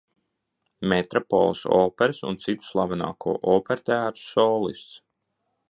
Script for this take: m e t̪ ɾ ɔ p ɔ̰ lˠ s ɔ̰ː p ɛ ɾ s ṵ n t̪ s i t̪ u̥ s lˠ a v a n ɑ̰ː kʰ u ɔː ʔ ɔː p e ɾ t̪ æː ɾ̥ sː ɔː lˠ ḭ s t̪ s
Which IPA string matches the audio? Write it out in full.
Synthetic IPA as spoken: m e t̪ ɾ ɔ p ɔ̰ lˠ s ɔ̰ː p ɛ ɾ s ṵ n t̪ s i t̪ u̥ s lˠ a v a n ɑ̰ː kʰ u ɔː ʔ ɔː p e ɾ t̪ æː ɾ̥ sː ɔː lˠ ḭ s t̪ s

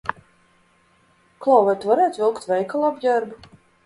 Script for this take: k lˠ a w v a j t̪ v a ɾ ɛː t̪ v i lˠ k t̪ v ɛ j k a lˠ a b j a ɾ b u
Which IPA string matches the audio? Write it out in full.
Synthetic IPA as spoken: k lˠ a w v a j t̪ v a ɾ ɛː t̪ v i lˠ k t̪ v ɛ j k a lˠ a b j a ɾ b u

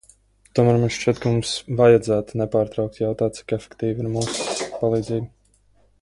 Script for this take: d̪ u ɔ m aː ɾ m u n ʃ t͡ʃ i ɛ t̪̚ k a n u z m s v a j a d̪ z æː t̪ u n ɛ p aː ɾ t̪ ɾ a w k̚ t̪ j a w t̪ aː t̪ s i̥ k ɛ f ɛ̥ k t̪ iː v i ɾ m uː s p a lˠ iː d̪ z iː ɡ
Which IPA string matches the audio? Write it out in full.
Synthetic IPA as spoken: t̪ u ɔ m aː ɾ m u n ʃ t͡ʃ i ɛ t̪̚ k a m u m s v a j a d̪ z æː t̪ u n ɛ p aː ɾ t̪ ɾ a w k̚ t̪ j a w t̪ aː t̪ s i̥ k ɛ f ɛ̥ k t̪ iː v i ɾ m uː s p a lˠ iː d̪ z iː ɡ

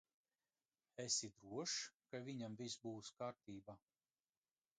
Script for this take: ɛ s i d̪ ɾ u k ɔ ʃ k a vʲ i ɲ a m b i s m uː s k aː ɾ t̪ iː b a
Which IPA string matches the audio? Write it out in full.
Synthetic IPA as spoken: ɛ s i d̪ ɾ u ɔ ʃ k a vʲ i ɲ a m v i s b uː s k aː ɾ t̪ iː b a

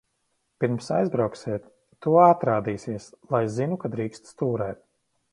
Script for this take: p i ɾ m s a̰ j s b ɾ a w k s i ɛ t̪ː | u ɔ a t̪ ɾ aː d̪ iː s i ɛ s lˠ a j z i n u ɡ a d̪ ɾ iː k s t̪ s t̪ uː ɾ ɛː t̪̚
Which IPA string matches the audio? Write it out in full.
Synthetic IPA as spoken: p i ɾ m s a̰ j z b ɾ a w k s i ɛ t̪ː | u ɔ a t̪ ɾ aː d̪ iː s i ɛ s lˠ a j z i n u k a d̪ ɾ iː k s t̪ s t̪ uː ɾ ɛː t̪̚

